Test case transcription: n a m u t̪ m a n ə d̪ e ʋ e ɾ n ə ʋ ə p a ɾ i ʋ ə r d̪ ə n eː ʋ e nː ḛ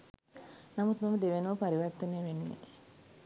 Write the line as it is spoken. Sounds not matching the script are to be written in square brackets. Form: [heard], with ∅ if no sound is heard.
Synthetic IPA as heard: n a m u t̪ m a [m] ə d̪ e ʋ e [∅] n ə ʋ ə p a ɾ i ʋ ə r [t̪] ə n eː ʋ e nː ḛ